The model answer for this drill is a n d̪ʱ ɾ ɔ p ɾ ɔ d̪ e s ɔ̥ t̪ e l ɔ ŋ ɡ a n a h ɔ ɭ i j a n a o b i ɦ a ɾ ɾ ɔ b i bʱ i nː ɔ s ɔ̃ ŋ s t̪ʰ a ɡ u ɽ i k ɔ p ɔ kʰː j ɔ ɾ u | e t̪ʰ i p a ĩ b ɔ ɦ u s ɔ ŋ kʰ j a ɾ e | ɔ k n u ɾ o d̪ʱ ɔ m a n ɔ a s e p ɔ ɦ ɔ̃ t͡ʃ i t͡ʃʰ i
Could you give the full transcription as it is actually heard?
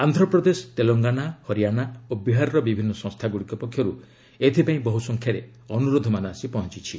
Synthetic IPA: a n d̪ʱ ɾ ɔ p ɾ ɔ d̪ e s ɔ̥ t̪ e l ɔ ŋ ɡ a n a h ɔ ɾ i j a n a o b i ɦ a ɾ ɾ ɔ b i bʱ i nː ɔ s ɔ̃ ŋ s t̪ʰ a ɡ u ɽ i k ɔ p ɔ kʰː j ɔ ɾ u | e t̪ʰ i p a ĩ b ɔ ɦ u s ɔ ŋ kʰ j a ɾ e | ɔ n u ɾ o d̪ʱ ɔ m a n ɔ a s i p ɔ ɦ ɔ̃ t͡ʃ i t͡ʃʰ i